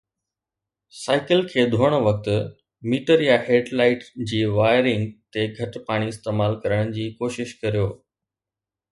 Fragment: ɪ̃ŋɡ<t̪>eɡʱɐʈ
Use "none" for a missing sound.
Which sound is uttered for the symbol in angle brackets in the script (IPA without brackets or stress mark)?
t̪